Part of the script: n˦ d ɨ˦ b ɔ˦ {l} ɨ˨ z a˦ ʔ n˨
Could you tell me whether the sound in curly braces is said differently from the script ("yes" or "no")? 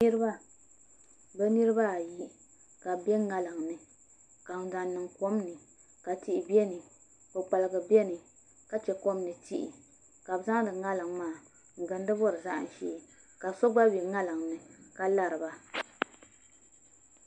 yes